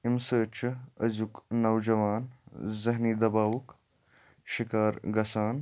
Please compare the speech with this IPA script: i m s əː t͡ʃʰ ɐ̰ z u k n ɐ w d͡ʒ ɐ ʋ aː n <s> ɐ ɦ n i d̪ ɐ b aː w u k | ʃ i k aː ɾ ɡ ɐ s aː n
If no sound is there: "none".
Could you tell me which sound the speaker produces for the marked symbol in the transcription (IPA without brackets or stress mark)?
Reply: z